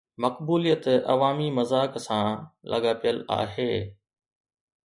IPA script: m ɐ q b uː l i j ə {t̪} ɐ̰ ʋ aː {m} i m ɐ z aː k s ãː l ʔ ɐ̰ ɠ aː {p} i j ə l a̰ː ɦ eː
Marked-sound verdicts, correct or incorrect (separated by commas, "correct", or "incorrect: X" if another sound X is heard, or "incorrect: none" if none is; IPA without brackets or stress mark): correct, correct, correct